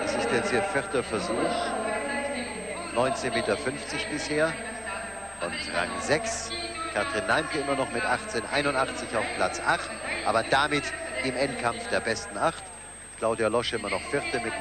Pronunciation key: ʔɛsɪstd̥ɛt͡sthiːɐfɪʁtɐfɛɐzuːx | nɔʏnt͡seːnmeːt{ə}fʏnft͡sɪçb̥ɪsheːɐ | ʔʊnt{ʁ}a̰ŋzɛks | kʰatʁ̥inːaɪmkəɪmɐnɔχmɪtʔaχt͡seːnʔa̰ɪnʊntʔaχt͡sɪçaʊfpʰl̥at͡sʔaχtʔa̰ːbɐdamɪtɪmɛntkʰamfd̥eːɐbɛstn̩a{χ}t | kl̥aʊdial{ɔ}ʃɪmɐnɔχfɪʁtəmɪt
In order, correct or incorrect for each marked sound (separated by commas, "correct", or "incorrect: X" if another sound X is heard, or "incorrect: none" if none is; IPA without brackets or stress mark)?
incorrect: ɐ, correct, correct, correct